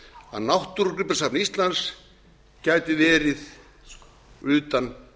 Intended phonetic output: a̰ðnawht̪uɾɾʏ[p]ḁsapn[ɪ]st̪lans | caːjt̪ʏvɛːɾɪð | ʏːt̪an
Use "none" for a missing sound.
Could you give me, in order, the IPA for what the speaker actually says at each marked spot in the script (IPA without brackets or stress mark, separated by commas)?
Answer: p, i